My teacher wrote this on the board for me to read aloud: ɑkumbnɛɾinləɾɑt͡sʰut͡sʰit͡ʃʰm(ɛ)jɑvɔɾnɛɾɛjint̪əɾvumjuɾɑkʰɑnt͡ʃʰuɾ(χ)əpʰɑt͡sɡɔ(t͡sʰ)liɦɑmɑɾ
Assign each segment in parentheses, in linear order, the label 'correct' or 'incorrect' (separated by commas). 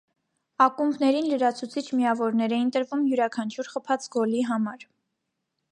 incorrect, correct, incorrect